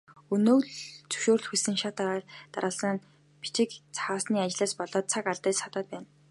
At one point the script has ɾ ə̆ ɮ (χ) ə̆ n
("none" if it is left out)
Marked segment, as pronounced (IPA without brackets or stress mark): s